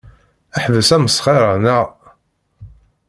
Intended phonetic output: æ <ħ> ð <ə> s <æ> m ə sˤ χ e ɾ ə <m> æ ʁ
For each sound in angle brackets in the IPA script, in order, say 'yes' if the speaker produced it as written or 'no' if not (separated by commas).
yes, yes, yes, no